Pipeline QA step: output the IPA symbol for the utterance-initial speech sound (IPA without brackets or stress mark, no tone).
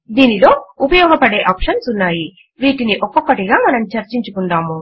d̪